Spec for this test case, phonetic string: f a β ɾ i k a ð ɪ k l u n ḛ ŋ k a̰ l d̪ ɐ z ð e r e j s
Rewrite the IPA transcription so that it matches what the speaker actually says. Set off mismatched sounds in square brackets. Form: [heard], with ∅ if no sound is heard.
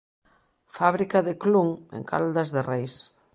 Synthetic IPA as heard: f a β ɾ i k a ð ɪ k l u [ŋ] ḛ ŋ k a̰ l d̪ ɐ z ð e r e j s